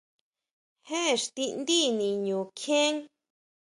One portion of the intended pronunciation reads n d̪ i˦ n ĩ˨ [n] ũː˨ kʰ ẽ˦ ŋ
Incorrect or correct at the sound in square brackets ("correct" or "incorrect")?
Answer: incorrect